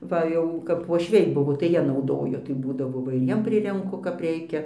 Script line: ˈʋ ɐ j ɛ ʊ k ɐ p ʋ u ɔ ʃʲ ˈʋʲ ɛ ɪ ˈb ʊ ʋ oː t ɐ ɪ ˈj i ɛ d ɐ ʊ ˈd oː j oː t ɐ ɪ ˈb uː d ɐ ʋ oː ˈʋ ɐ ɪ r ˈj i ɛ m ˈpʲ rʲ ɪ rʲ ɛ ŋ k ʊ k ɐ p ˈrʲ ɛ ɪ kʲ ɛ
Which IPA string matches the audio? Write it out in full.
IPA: ˈʋ ɐ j ɛ ʊ k ɐ p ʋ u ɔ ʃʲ ˈʋʲ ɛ ɪ ˈb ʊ ʋ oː t ɐ ɪ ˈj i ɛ n ɐ ʊ ˈd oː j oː t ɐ ɪ ˈb uː d ɐ ʋ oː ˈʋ ɐ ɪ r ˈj i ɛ m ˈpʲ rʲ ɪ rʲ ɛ ŋ k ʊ k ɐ p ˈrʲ ɛ ɪ kʲ ɛ